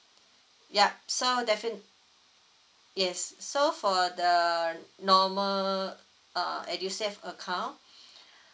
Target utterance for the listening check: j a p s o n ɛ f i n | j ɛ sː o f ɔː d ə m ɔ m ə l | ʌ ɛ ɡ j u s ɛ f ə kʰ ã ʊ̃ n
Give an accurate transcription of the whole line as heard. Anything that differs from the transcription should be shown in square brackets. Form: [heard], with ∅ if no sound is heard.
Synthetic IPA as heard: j a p s o [d] ɛ f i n | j ɛ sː o f [ɔ] d ə [n] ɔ m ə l | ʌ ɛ [d] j u s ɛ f ə kʰ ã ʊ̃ n